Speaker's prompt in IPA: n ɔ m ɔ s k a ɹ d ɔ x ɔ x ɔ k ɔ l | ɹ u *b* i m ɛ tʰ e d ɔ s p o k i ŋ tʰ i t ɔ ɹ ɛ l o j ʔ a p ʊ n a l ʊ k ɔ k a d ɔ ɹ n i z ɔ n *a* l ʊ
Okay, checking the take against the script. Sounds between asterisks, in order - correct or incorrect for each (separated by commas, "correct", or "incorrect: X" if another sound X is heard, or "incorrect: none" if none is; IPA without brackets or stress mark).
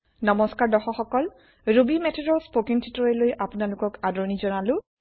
correct, correct